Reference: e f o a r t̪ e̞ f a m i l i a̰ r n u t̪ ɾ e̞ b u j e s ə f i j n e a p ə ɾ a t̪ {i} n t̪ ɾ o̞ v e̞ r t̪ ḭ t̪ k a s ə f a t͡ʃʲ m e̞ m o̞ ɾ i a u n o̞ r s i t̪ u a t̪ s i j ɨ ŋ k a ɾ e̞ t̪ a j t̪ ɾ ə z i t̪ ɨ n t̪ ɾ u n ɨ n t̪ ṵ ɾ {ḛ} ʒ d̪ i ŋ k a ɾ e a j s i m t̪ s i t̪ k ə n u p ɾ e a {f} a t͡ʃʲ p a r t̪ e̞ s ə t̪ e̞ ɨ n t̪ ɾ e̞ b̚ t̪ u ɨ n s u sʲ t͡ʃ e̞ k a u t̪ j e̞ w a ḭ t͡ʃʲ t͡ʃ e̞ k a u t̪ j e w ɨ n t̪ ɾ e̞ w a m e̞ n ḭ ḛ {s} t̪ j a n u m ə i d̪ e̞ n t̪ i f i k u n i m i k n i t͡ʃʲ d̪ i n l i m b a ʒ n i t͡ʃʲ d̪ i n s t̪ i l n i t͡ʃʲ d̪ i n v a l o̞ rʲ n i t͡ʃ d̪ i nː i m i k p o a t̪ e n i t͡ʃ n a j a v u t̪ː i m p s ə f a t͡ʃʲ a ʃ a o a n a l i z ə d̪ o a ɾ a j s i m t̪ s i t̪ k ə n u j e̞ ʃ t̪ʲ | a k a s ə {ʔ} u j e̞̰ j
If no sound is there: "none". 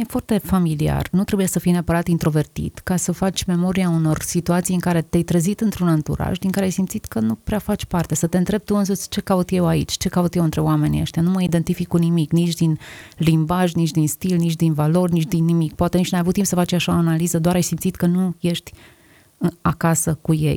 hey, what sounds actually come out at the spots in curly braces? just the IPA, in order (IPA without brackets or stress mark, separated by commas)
i, a̰, f, ʃ, k